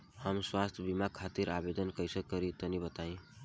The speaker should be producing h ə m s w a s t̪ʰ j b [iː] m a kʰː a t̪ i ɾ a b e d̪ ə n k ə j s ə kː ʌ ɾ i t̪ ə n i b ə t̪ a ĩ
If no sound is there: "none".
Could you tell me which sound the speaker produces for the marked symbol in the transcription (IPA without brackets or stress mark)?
i